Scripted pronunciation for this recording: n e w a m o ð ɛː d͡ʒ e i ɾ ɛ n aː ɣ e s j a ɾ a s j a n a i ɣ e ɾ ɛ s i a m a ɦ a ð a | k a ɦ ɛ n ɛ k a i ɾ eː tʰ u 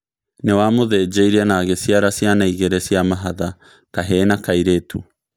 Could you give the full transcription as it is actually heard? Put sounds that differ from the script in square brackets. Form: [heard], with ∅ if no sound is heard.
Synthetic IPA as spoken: n e w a m o ð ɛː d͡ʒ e i ɾ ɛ n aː ɣ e s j a ɾ a s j a n a i ɣ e ɾ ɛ s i a m a ɦ a ð a | k a ɦ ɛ n [a] k a i ɾ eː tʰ u